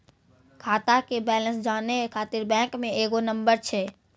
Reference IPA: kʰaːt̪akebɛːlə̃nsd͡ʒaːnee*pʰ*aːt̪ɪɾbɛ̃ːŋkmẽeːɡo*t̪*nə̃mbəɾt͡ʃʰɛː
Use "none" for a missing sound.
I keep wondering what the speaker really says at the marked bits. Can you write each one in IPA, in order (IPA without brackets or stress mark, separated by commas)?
kʰ, none